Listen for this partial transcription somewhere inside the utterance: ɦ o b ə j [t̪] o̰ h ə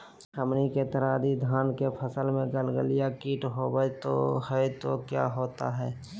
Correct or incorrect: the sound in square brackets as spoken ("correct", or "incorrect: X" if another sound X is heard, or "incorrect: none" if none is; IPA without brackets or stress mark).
correct